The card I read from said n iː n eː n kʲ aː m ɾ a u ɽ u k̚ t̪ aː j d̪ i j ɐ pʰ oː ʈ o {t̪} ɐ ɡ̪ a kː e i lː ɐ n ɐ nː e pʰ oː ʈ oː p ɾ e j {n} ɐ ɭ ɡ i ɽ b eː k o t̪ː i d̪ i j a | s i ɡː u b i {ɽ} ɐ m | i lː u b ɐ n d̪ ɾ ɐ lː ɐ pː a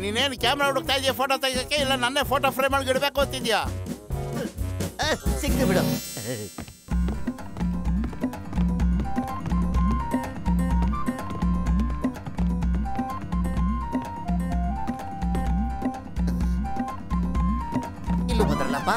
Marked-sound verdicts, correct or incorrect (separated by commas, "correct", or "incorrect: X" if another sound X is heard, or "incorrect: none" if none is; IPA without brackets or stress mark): correct, incorrect: m, correct